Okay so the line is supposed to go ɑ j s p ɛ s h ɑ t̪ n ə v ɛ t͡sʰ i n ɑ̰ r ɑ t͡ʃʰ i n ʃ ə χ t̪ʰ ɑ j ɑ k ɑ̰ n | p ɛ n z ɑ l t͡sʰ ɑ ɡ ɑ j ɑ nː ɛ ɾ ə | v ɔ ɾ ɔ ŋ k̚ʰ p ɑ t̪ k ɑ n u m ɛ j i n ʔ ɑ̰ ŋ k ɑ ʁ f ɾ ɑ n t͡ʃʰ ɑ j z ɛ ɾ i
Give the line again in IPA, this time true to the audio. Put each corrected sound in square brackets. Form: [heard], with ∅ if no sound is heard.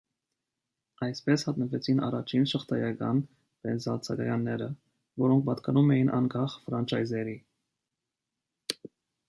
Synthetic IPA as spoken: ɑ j s p ɛ s h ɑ t̪ n ə v ɛ t͡sʰ i n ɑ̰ r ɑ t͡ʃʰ i n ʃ ə χ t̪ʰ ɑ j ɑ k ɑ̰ n | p ɛ n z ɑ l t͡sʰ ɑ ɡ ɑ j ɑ nː ɛ ɾ ə | v ɔ ɾ ɔ ŋ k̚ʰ p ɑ t̪ k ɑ n u m ɛ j i n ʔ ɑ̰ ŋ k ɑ [χ] f ɾ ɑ n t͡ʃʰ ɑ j z ɛ ɾ i